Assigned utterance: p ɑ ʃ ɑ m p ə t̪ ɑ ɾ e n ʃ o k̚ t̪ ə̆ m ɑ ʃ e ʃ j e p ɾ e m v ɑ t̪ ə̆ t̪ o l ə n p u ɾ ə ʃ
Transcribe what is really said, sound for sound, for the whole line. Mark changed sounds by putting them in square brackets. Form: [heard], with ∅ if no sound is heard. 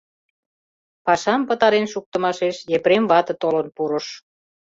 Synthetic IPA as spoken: p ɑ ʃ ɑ m p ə t̪ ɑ ɾ e n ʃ [u] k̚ t̪ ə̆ m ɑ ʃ e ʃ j e p ɾ e m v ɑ t̪ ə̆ t̪ o l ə n p u ɾ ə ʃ